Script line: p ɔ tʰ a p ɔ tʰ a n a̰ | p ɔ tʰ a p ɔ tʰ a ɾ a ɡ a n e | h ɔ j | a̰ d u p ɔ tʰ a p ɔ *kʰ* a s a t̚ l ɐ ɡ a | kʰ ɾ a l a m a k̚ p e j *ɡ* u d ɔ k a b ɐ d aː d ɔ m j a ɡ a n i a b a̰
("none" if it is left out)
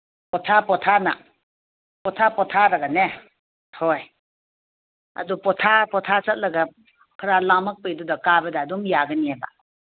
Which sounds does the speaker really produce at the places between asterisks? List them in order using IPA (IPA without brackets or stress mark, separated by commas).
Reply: tʰ, d